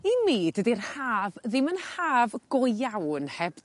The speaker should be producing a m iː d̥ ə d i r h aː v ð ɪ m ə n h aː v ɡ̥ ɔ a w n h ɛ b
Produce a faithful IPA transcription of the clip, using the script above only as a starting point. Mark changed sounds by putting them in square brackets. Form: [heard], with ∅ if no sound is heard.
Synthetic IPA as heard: [i] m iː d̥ ə d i r h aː v ð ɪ m ə n h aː v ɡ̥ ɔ a w n h ɛ b